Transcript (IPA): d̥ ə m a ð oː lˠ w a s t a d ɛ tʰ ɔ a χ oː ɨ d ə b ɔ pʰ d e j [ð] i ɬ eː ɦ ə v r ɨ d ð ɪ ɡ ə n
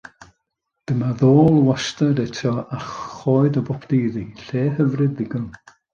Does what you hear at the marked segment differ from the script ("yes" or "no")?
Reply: no